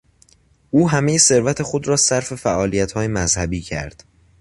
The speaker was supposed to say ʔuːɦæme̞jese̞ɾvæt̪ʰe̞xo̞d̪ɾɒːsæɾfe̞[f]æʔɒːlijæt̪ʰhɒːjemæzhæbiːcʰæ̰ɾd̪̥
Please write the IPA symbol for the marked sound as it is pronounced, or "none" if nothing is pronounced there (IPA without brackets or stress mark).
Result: f